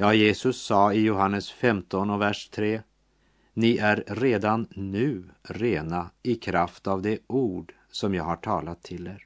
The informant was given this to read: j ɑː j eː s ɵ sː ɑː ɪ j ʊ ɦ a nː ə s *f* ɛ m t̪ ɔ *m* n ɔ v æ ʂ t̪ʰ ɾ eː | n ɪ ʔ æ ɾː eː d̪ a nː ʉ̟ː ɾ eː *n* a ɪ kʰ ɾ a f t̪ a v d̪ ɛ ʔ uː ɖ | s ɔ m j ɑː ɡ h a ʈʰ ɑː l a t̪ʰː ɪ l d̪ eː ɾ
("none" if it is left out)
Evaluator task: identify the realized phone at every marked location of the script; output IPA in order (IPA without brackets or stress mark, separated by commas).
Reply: f, none, n